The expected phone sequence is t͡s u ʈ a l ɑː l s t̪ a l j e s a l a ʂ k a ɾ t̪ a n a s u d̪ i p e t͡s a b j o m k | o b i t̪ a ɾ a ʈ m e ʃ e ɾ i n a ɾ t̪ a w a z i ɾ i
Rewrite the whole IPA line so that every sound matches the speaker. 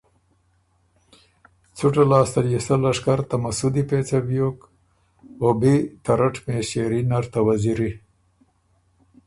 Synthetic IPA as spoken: t͡s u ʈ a l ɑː s t̪ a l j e s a l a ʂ k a ɾ t̪ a m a s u d̪ i p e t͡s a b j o k | o b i t̪ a ɾ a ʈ m e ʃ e ɾ i n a ɾ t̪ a w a z i ɾ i